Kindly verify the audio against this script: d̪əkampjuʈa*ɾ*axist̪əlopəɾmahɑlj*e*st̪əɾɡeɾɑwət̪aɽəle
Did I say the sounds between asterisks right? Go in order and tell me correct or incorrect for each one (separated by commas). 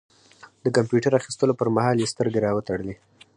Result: correct, correct